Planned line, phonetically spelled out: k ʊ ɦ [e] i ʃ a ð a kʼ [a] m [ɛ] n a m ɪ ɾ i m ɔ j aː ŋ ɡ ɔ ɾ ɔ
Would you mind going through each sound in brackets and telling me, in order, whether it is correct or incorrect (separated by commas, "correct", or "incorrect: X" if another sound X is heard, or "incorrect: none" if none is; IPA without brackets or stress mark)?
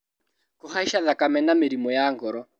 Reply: incorrect: a, correct, correct